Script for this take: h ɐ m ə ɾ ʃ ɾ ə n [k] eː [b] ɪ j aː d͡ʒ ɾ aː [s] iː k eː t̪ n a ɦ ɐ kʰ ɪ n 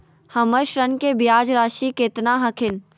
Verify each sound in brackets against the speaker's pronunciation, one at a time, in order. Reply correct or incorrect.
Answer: correct, correct, incorrect

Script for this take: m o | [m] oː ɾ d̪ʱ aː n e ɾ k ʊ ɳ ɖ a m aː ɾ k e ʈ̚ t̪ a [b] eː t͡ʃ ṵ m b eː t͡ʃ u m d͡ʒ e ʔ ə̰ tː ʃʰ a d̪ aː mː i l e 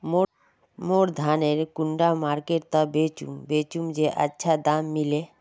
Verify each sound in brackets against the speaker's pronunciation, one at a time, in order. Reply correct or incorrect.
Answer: correct, correct

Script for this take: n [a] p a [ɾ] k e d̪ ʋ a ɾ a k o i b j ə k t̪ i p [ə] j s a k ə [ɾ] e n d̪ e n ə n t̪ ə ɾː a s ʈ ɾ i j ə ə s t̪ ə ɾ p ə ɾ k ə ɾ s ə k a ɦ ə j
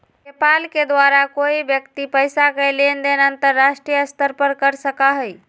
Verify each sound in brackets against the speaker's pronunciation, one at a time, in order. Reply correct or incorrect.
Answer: incorrect, incorrect, correct, incorrect

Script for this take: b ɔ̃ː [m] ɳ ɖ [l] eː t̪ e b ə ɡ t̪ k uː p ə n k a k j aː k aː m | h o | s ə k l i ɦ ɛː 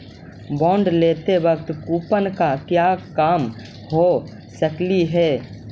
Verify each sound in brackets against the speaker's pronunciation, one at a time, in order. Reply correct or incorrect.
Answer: incorrect, correct

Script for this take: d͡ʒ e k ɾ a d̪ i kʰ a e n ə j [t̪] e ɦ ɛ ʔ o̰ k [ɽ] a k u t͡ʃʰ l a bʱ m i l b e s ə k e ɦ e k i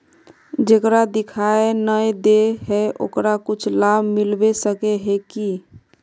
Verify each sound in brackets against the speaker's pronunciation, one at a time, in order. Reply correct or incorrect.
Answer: incorrect, incorrect

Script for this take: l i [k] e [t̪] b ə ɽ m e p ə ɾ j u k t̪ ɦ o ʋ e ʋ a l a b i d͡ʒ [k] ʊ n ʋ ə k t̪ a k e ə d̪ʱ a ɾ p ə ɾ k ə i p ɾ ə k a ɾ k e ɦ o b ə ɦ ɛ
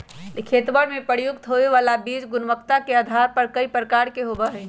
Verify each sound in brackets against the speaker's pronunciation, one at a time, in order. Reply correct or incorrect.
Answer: incorrect, correct, incorrect

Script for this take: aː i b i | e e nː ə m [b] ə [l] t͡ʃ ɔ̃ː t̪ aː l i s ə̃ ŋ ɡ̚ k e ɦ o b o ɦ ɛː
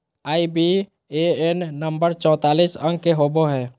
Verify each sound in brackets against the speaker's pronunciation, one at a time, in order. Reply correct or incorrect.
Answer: correct, incorrect

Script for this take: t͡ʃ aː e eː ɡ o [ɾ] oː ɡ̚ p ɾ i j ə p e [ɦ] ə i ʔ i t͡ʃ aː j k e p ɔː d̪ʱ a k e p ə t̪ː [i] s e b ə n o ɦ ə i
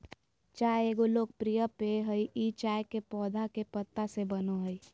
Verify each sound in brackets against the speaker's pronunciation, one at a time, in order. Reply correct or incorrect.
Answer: incorrect, correct, incorrect

